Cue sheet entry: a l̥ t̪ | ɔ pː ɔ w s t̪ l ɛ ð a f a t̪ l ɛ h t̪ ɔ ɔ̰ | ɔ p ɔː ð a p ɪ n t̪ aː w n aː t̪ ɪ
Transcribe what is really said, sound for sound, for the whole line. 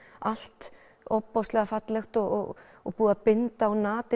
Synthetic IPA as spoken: a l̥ t̪ | ɔ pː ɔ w s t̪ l ɛ ɣ a f a t̪ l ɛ x t̪ ɔ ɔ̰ | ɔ p uː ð a p ɪ n t̪ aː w n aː t̪ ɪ